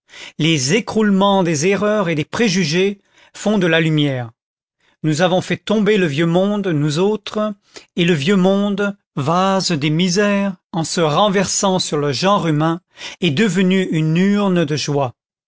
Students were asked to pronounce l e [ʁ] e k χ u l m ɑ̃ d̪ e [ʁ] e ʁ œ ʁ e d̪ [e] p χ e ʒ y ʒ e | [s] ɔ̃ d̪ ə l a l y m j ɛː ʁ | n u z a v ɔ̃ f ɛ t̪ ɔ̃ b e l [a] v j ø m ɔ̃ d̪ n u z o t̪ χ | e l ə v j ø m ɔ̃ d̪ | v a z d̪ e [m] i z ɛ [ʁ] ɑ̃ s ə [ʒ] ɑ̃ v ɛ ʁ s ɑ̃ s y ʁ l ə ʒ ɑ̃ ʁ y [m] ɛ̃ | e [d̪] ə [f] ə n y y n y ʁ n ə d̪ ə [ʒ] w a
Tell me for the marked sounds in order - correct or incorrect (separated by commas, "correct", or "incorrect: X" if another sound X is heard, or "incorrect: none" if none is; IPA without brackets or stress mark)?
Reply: incorrect: z, incorrect: z, correct, incorrect: f, incorrect: ə, correct, correct, incorrect: ʁ, correct, correct, incorrect: v, correct